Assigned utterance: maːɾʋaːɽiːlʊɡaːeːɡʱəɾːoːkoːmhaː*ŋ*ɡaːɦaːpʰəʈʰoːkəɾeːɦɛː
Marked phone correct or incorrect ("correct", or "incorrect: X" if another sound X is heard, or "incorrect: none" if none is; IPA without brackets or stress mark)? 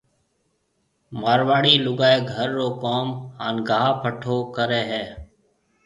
incorrect: n